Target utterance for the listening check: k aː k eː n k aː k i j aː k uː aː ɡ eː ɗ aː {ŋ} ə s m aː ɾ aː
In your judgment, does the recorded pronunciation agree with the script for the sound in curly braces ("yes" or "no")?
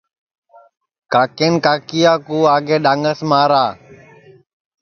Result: yes